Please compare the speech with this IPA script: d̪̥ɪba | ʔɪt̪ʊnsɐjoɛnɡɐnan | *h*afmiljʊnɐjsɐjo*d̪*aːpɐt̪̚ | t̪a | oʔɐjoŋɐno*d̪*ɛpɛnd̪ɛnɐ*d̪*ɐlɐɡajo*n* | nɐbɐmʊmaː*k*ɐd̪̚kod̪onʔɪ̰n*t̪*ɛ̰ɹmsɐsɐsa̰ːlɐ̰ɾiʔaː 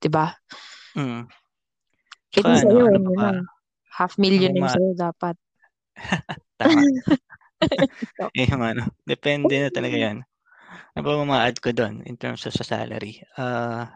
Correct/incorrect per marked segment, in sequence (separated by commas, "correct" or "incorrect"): correct, correct, correct, incorrect, correct, incorrect, correct